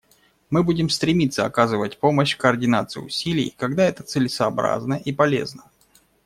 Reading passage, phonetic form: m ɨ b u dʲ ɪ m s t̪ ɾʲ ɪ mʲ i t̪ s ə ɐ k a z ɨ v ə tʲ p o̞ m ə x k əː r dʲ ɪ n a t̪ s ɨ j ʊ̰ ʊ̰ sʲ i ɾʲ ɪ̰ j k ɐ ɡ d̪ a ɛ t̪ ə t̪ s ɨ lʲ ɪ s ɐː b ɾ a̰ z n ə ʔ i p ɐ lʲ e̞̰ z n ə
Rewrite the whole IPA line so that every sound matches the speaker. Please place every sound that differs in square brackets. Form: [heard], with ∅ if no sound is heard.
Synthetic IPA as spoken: m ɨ b u dʲ ɪ m s t̪ ɾʲ ɪ mʲ i t̪ s ə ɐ k a z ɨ v ə tʲ p o̞ m ə [ɕ] k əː r dʲ ɪ n a t̪ s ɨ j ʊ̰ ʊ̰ sʲ i [lʲ] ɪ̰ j k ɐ ɡ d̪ a ɛ t̪ ə t̪ s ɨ lʲ ɪ s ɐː b ɾ a̰ z n ə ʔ i p ɐ lʲ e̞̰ z n ə